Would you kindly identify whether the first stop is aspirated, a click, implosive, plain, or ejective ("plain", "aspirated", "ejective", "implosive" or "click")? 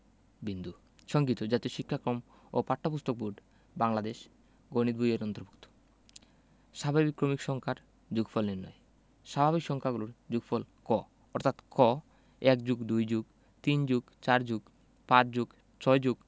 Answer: plain